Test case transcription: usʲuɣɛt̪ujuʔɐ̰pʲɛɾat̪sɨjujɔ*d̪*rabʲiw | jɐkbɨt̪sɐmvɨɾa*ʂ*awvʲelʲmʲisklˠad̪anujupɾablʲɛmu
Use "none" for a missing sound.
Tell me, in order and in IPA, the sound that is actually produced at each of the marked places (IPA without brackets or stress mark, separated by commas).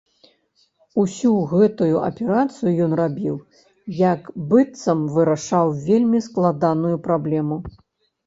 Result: n̪, ʂ